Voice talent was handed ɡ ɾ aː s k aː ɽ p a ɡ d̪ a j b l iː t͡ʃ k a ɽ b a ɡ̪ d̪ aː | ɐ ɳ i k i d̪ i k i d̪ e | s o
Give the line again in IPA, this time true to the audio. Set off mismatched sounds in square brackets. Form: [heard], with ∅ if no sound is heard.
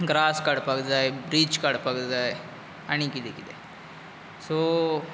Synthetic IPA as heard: ɡ ɾ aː s k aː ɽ p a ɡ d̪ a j b [ɾ] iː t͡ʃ k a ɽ [p] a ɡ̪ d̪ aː | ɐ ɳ i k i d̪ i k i d̪ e | s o